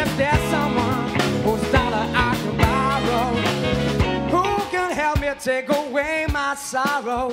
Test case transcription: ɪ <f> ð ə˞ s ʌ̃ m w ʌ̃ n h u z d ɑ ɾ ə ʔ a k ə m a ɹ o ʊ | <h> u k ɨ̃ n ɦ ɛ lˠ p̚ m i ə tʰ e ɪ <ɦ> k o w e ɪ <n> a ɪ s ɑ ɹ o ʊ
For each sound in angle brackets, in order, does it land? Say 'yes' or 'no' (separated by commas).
yes, yes, no, no